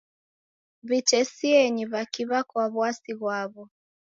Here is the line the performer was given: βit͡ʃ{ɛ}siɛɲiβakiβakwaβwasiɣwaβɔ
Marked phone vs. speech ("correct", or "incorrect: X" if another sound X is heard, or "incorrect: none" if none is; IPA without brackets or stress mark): correct